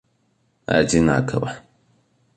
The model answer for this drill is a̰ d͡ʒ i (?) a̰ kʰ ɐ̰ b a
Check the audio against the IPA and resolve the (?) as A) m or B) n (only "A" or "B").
B